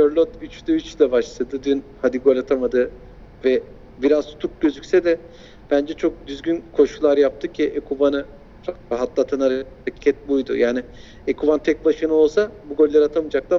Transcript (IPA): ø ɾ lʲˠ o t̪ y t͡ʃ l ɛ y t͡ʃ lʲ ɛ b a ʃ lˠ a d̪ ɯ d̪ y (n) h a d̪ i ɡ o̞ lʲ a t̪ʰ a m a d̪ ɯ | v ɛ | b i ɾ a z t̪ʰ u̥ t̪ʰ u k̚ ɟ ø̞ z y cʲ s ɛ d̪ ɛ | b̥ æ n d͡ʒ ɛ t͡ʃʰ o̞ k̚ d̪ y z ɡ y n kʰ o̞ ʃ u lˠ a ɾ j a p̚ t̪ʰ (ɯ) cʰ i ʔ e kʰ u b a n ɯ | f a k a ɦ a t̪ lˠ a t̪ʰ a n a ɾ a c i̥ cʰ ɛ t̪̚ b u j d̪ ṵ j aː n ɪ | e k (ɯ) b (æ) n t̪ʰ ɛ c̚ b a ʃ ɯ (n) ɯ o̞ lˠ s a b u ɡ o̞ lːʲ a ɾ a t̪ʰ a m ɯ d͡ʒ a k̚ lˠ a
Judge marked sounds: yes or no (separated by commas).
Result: yes, yes, no, no, yes